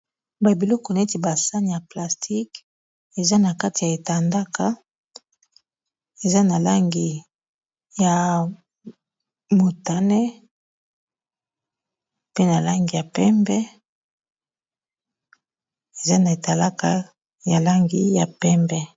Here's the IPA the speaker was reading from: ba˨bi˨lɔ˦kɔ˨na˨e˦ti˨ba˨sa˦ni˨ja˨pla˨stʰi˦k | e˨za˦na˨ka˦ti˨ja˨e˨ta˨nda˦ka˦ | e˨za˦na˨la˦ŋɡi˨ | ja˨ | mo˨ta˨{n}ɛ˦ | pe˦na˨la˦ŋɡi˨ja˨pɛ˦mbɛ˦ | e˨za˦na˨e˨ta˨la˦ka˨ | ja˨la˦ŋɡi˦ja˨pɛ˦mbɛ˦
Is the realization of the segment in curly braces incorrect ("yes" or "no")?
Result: no